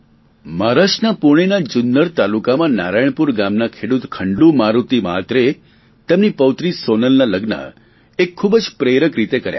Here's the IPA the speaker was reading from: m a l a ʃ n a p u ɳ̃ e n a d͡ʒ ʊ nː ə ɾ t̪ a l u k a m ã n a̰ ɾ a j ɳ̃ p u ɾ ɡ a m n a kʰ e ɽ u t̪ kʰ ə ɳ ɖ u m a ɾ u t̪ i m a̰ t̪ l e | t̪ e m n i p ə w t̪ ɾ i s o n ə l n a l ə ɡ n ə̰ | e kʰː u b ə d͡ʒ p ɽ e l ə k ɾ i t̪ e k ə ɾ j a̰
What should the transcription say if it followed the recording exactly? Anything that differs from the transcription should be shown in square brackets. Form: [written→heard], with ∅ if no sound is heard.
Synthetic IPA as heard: m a [l→ɾ] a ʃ n a p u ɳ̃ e n a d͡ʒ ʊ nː ə ɾ t̪ a l u k a m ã n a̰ ɾ a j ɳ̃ p u ɾ ɡ a m n a kʰ e ɽ u t̪ kʰ ə ɳ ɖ u m a ɾ u t̪ i m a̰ t̪ [l→ɾ] e | t̪ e m n i p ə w t̪ ɾ i s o n ə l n a l ə ɡ n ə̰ | e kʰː u b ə d͡ʒ p [ɽ→ɾ] e [l→ɾ] ə k ɾ i t̪ e k ə ɾ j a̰